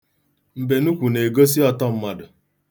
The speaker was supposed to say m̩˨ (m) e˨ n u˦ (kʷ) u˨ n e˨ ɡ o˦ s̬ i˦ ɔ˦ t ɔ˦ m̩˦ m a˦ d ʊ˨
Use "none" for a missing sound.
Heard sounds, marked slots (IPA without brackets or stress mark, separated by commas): b, kʷ